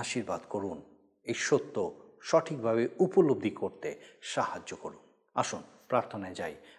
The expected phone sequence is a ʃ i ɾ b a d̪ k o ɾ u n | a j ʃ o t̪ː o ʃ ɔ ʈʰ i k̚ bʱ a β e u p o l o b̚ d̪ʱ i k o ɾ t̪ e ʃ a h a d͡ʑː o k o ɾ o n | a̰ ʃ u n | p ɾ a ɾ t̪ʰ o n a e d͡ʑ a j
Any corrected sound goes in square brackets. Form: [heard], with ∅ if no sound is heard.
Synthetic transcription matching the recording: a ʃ i ɾ b a d̪ k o ɾ u n | [e] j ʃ o t̪ː o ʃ ɔ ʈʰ i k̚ bʱ a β e u p o l o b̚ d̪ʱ i k o ɾ t̪ e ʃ a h a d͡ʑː o k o ɾ [u] n | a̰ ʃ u n | p ɾ a ɾ t̪ʰ o n a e d͡ʑ a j